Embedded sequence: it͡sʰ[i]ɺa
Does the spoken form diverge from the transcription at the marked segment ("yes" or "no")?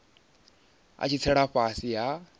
yes